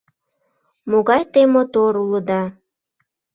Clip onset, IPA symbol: m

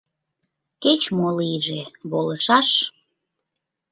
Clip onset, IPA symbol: k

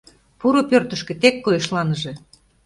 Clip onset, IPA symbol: p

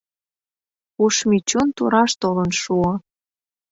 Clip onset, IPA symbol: u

